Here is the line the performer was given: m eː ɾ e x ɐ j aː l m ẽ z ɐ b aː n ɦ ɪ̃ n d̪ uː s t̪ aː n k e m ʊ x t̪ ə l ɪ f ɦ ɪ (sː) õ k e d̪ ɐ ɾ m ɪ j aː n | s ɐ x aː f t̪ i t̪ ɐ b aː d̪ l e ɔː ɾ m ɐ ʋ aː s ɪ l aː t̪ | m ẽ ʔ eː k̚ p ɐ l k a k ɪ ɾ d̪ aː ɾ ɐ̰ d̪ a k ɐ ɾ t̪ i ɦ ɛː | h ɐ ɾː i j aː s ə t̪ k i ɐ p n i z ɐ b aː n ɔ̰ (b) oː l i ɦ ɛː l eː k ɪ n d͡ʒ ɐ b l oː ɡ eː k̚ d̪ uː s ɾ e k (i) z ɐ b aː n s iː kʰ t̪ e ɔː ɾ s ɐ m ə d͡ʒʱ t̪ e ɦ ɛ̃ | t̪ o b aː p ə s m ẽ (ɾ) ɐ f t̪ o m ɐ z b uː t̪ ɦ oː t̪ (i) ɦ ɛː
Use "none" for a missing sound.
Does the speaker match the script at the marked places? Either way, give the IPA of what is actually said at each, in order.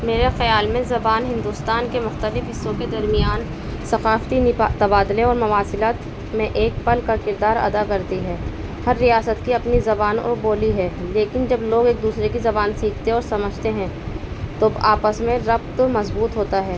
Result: sː, b, i, ɾ, a

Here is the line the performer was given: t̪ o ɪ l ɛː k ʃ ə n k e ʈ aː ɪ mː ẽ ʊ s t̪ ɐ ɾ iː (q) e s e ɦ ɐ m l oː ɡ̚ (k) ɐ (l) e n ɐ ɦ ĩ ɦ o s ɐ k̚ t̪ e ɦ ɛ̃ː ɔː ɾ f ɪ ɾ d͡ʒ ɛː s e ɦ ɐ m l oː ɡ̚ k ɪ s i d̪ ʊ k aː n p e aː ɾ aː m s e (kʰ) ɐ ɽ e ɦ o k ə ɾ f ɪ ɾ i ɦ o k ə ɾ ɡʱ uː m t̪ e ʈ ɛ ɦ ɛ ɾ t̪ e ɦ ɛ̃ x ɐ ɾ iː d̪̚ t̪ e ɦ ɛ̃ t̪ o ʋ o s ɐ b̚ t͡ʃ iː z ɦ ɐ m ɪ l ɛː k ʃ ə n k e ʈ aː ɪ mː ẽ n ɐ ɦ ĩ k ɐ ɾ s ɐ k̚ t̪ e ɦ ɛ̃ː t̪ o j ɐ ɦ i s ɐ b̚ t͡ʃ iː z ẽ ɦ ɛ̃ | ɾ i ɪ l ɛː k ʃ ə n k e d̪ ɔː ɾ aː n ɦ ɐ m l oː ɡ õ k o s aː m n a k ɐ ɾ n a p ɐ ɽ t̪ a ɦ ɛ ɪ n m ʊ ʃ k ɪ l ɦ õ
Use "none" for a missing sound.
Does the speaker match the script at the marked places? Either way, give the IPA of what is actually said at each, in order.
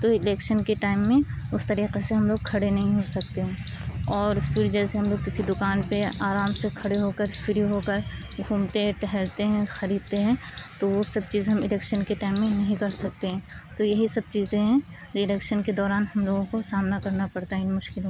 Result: q, kʰ, ɽ, kʰ

